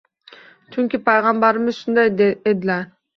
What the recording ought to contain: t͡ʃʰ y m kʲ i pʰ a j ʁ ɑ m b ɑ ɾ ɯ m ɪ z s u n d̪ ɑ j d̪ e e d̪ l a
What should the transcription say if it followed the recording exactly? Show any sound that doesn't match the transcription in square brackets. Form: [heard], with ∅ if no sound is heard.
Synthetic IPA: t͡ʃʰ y [ŋ] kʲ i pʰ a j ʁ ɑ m b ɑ ɾ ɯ m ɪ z [ʃ] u n d̪ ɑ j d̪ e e d̪ l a